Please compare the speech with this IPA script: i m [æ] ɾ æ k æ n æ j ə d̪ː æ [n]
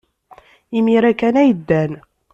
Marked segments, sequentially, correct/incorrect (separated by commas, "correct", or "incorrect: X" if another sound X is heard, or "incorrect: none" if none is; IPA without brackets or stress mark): incorrect: i, correct